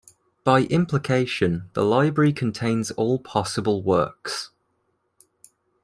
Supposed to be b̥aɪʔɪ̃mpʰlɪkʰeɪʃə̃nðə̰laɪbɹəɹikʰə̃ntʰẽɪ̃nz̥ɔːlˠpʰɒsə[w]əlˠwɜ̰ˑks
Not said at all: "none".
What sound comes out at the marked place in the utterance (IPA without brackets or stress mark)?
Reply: b